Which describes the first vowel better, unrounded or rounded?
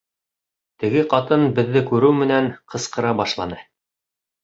unrounded